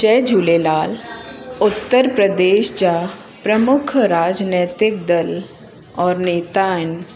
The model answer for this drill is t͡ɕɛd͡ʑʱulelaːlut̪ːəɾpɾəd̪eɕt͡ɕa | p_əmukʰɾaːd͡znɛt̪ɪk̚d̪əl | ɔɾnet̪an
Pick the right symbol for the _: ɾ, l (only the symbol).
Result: ɾ